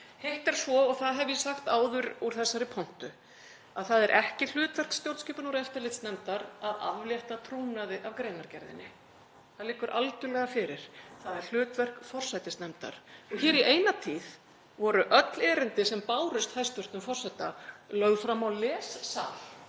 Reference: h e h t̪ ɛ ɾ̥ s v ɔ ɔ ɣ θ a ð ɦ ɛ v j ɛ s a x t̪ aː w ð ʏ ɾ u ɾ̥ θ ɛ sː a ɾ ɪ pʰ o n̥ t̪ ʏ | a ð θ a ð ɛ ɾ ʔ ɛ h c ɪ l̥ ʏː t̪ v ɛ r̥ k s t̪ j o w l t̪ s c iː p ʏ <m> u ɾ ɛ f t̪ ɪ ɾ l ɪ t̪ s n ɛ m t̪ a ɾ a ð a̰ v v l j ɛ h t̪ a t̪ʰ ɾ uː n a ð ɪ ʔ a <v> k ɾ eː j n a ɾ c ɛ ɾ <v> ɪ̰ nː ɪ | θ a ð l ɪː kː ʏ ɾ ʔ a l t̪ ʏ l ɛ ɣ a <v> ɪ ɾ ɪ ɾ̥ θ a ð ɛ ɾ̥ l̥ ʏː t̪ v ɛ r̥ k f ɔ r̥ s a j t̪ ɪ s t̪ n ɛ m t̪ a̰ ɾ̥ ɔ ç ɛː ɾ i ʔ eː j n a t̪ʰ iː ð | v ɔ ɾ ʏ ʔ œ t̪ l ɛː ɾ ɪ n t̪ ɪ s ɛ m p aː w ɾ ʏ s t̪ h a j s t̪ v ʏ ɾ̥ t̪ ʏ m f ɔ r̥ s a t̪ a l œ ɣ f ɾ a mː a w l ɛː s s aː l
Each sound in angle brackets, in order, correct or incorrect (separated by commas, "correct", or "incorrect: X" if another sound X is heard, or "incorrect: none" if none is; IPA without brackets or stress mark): incorrect: n, correct, incorrect: ð, incorrect: f